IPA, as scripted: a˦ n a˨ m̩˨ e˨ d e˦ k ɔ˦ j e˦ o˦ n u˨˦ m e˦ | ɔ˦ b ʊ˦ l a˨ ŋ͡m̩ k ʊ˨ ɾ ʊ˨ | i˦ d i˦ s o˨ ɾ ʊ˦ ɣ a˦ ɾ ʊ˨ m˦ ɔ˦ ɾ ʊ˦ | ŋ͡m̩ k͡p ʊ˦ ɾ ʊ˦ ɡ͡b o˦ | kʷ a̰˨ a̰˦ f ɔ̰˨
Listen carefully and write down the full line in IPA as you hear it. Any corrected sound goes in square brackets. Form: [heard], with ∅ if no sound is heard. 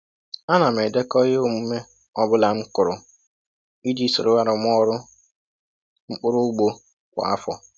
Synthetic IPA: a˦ n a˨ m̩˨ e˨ d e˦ k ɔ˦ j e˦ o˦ [m] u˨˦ m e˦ | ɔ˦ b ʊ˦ l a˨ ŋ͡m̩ k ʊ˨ ɾ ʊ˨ | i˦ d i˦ s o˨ ɾ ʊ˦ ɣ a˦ ɾ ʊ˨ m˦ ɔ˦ ɾ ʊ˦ | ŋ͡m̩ k͡p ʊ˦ ɾ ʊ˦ ɡ͡b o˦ | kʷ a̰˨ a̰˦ f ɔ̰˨